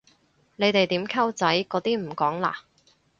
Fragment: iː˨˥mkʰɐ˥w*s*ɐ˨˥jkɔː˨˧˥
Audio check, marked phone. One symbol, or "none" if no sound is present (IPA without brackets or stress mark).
t͡s